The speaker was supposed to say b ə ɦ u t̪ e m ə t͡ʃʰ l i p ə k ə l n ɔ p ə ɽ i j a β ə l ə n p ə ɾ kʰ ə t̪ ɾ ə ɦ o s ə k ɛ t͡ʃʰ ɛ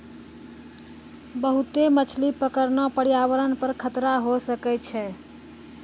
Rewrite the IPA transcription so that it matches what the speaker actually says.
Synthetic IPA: b ə ɦ u t̪ e m ə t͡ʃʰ l i p ə k ə ɾ n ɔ p ə ɽ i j a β ə ɾ ə n p ə ɾ kʰ ə t̪ ɾ a ɦ o s ə k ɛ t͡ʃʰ ɛ